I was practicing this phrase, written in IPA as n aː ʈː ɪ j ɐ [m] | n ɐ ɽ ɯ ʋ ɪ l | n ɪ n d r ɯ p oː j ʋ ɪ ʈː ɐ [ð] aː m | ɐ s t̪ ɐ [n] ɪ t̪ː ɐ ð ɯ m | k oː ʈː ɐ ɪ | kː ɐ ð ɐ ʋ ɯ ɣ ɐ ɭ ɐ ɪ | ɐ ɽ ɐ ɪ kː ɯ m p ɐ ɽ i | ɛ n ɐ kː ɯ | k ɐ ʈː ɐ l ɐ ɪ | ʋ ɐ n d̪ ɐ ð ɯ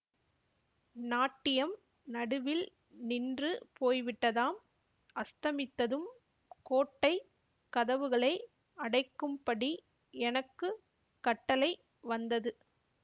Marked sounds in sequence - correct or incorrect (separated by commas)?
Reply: correct, correct, incorrect